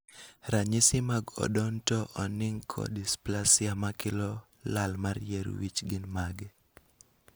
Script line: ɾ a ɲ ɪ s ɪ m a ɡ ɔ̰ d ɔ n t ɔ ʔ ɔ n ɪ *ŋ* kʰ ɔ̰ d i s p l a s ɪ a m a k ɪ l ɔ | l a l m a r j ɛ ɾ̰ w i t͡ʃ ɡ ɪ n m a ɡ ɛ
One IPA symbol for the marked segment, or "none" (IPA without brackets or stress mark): ŋ